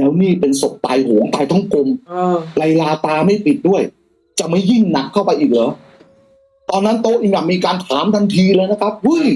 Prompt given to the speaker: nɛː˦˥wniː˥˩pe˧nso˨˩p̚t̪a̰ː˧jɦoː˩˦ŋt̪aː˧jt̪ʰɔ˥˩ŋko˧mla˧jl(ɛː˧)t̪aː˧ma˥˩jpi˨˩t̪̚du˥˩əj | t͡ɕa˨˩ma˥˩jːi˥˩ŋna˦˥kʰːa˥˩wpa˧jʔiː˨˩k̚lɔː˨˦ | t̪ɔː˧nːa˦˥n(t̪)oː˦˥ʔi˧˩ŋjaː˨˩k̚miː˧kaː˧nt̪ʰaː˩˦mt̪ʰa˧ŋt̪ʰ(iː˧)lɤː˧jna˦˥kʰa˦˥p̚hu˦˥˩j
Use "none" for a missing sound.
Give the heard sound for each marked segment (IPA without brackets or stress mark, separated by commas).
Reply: aː˧, t̪, iː˧